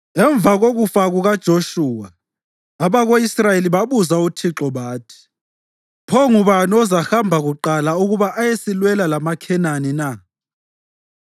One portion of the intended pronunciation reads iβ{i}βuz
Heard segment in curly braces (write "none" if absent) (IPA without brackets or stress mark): a